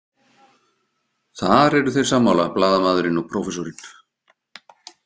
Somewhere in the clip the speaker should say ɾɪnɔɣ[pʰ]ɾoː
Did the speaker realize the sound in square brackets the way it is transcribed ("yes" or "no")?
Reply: yes